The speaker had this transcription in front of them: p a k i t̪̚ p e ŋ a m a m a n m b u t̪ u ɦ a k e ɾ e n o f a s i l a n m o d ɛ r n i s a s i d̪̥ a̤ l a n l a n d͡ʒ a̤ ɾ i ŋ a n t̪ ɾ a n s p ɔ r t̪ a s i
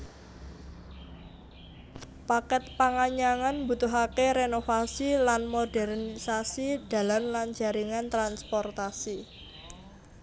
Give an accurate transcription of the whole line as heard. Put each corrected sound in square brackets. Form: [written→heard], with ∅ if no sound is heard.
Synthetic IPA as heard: p a k [i→ɛ] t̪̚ p [e→a] ŋ a [m→ɲ] a [m→ŋ] a n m b u t̪ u ɦ a k e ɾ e n o f a s i l a n m o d ɛ r n i s a s i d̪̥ a̤ l a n l a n d͡ʒ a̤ ɾ i ŋ a n t̪ ɾ a n s p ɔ r t̪ a s i